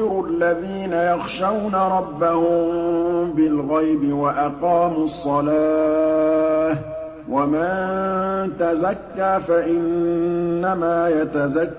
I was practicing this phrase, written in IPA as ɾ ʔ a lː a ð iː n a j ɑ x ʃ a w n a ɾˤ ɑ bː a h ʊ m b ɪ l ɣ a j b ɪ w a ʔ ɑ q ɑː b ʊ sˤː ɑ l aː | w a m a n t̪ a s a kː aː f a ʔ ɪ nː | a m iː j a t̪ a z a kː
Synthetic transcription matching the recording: ɾ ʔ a lː a ð iː n a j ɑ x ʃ a w n a ɾˤ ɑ bː a h ʊ m b ɪ l ɣ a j b ɪ w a ʔ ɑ q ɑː m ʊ sˤː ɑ l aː | w a m a n t̪ a z a kː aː f a ʔ ɪ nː | a m aː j a t̪ a z a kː